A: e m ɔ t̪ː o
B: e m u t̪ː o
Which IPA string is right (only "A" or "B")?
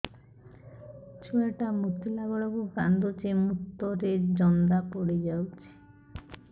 B